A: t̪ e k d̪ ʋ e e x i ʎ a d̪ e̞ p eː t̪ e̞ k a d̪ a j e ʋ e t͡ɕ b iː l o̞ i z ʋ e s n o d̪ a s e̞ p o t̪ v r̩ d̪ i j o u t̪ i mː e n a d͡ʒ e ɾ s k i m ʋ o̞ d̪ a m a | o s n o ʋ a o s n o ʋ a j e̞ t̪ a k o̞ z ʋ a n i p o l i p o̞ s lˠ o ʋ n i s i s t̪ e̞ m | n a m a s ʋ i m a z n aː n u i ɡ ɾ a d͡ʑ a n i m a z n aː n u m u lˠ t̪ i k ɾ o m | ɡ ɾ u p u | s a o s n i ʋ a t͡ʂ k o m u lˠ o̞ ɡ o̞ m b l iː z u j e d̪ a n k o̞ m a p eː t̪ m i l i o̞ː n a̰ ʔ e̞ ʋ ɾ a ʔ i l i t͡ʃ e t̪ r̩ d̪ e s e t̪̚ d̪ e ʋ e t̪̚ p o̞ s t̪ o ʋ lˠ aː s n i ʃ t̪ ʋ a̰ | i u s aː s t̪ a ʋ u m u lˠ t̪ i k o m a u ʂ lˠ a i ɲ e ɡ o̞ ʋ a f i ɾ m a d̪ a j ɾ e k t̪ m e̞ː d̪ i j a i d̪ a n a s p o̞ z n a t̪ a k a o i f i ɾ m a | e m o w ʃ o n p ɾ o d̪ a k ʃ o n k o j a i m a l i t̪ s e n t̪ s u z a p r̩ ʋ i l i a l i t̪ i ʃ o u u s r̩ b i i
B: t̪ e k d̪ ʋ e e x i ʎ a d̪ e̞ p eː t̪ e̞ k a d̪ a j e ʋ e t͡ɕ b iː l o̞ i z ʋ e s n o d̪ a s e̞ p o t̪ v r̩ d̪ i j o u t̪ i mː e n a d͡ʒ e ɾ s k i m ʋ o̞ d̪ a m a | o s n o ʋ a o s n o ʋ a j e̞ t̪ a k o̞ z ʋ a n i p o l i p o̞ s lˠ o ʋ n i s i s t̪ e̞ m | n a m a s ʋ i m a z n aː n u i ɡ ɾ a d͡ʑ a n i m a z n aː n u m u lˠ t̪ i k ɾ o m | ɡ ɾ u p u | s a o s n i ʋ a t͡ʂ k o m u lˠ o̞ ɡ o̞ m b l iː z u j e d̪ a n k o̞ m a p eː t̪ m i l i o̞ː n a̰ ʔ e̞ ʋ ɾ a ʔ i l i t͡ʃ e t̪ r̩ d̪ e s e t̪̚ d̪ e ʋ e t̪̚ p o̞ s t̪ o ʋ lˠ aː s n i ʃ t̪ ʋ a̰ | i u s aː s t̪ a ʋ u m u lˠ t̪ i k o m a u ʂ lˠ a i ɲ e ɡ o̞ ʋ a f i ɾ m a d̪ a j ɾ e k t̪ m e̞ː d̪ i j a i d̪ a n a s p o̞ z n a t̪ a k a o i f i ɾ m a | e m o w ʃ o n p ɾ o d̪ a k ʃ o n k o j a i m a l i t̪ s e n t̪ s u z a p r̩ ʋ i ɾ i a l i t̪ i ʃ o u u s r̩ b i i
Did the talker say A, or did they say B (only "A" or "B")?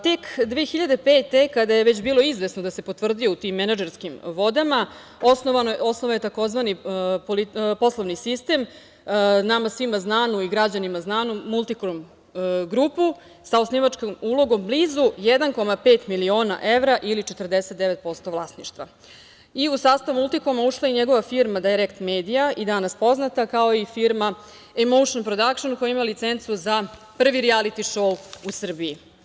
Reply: B